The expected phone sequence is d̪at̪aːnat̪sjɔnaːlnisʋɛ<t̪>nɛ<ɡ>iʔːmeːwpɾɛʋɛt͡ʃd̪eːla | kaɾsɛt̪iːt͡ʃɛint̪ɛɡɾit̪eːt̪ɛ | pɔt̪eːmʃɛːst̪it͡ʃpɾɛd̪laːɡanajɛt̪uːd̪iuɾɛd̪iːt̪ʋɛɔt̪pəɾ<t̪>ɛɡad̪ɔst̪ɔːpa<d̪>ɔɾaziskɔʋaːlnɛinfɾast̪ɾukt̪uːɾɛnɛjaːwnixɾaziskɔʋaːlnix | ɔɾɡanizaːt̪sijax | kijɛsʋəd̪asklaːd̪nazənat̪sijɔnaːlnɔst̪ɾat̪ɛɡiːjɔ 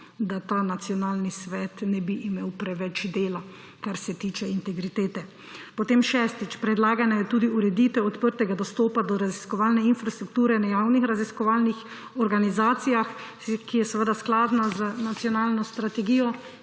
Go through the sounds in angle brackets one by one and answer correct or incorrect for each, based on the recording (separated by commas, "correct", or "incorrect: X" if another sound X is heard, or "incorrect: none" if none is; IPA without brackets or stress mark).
correct, incorrect: b, correct, correct